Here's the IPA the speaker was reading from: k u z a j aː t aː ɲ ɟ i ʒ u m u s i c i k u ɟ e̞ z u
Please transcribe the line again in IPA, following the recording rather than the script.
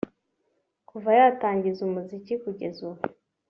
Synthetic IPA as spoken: k u v a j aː t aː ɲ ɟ i z u m u z i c i k u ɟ e̞ z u